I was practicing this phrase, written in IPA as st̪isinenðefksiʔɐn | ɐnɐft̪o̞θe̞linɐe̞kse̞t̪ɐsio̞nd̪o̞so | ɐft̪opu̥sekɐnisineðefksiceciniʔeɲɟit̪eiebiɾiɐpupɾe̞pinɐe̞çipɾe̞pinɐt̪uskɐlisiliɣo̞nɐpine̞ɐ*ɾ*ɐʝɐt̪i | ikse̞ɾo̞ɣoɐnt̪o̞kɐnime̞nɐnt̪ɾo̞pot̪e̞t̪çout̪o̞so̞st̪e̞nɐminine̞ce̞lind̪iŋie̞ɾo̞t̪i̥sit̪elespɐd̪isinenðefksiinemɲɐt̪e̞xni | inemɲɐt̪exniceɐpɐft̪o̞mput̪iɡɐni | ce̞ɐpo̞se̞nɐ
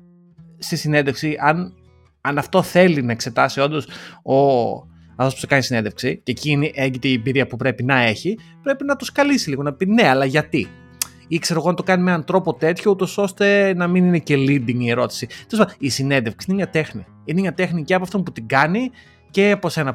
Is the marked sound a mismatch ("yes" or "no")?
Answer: yes